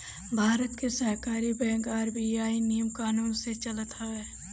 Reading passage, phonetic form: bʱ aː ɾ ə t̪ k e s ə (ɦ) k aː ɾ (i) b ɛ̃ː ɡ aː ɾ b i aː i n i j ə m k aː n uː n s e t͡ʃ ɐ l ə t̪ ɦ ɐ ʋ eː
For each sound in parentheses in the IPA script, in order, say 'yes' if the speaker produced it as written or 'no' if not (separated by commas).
yes, yes